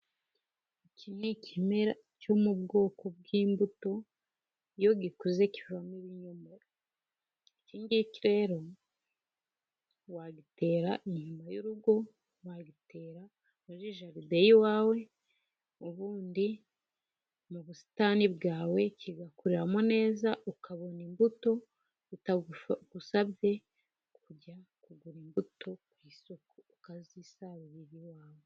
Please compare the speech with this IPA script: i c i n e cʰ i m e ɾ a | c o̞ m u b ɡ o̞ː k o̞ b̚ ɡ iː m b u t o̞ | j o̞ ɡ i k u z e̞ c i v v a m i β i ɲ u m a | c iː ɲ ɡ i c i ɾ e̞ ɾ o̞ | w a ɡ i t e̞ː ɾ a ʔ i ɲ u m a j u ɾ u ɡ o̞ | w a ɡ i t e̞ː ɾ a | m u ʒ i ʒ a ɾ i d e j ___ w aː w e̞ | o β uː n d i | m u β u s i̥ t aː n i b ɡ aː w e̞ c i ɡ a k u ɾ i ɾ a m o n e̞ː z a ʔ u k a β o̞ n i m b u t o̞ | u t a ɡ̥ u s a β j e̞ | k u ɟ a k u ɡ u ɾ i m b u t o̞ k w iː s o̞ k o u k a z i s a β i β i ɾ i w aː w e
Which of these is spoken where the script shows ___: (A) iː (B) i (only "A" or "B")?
B